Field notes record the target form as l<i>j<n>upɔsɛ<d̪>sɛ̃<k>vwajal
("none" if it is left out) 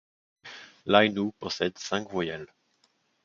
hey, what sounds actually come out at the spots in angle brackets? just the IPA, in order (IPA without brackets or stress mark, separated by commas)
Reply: a, n, d̪, k